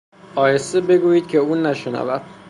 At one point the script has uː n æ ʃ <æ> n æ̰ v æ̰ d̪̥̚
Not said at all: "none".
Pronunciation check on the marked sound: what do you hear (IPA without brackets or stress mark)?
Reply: e